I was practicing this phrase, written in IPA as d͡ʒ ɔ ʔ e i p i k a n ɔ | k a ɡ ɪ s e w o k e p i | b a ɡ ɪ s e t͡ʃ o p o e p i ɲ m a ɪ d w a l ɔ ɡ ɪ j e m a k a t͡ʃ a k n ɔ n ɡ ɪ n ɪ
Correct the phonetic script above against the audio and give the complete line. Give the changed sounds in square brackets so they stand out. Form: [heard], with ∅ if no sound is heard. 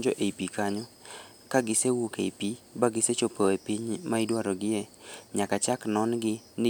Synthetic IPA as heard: d͡ʒ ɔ ʔ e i p i k a [ɲ] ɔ | k a ɡ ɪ s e w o k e p i | b a ɡ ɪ s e t͡ʃ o p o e p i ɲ m a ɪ d w a [ɾ] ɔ ɡ ɪ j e [ɲ] a k a t͡ʃ a k n ɔ n ɡ ɪ n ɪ